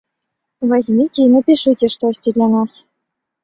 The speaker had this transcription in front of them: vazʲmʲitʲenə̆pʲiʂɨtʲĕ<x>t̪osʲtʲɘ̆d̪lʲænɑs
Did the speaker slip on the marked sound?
yes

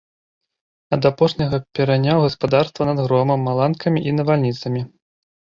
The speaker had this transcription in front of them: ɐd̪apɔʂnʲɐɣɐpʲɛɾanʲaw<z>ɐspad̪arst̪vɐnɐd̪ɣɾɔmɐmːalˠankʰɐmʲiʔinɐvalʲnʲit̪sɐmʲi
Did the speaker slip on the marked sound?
yes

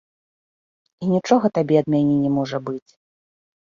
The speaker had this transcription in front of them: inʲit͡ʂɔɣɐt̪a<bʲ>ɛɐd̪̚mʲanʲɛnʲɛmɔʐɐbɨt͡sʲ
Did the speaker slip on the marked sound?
no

